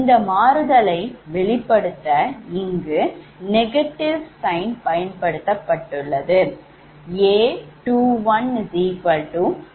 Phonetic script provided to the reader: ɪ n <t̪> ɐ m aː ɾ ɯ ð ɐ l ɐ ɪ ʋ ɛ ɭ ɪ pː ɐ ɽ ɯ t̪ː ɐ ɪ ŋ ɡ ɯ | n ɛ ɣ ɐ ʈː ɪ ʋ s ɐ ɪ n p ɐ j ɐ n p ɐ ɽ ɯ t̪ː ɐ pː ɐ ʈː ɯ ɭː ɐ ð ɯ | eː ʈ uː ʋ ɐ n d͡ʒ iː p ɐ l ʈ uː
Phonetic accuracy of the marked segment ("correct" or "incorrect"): incorrect